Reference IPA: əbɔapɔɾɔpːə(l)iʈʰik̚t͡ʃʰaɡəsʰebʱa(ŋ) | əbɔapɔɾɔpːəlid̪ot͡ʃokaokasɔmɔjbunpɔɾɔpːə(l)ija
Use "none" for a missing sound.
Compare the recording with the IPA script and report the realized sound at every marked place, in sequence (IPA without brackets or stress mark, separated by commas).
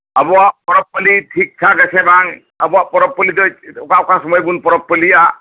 l, ŋ, l